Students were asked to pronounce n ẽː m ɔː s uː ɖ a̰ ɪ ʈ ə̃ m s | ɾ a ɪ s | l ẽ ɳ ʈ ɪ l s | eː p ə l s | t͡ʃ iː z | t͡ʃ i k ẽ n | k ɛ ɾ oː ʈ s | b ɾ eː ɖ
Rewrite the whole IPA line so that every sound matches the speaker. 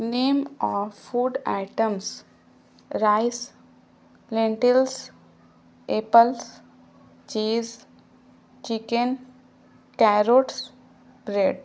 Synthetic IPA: n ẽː m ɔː f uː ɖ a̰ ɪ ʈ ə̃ m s | ɾ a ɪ s | l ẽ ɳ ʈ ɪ l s | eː p ə l s | t͡ʃ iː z | t͡ʃ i k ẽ n | k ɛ ɾ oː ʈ s | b ɾ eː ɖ